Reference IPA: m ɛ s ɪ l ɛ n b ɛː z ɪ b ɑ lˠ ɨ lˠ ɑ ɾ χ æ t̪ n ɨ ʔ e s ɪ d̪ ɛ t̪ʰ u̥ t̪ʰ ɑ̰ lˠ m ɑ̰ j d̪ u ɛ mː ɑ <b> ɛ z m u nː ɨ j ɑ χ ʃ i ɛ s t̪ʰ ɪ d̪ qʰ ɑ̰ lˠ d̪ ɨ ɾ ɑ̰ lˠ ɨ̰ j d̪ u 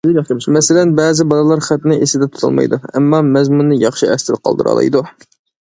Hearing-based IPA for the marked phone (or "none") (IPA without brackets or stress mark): m